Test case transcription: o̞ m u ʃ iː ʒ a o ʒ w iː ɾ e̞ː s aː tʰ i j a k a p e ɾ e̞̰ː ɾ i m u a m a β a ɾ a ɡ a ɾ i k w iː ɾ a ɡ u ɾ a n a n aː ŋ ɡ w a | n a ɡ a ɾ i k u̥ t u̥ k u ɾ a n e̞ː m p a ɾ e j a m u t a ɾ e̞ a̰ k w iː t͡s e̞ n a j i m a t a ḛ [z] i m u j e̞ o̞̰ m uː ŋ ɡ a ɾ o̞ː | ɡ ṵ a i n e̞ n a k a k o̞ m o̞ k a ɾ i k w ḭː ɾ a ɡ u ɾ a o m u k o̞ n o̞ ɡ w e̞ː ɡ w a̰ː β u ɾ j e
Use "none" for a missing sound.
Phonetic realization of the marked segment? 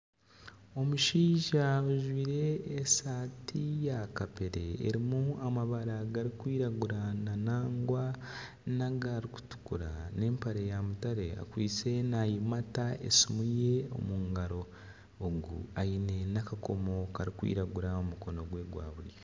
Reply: s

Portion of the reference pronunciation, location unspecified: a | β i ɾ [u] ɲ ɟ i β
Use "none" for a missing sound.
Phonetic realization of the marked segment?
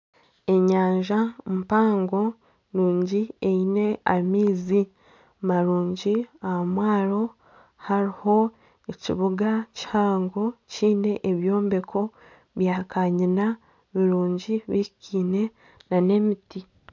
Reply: uː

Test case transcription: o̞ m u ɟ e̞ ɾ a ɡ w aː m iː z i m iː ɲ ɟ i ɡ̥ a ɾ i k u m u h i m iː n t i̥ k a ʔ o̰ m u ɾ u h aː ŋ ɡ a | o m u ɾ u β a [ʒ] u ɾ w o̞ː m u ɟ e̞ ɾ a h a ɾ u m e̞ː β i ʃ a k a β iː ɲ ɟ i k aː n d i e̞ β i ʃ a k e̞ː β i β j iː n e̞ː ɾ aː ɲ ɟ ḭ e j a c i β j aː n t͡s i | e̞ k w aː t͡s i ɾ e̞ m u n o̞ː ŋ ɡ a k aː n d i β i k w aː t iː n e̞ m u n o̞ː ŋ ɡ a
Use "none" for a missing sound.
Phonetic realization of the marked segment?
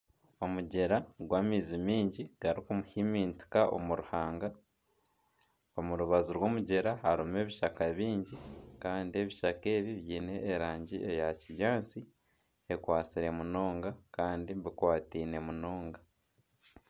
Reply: z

